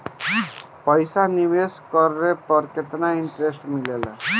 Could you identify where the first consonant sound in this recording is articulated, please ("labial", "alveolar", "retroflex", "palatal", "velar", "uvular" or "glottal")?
labial